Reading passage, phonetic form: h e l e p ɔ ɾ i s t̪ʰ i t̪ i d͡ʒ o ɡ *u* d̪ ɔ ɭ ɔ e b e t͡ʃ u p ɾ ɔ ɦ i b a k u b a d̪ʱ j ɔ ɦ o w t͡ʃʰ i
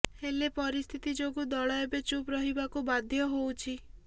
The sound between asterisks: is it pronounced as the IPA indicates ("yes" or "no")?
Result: yes